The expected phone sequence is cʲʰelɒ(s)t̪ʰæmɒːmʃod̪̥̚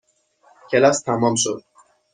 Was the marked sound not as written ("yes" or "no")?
no